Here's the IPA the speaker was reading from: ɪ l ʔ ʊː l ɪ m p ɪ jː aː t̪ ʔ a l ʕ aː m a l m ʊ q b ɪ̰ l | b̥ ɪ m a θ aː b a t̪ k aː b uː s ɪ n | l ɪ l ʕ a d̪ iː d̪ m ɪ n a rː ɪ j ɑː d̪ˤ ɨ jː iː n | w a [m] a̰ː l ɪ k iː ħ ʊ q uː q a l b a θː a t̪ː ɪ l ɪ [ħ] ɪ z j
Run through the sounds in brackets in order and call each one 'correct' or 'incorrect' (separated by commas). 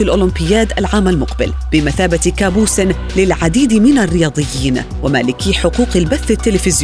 correct, incorrect